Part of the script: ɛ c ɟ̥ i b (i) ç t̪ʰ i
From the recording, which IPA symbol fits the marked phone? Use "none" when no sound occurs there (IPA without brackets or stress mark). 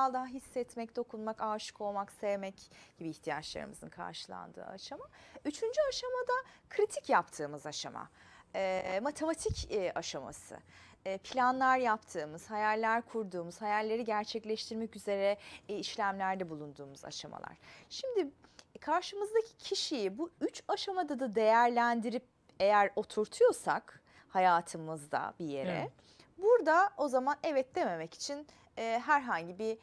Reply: iː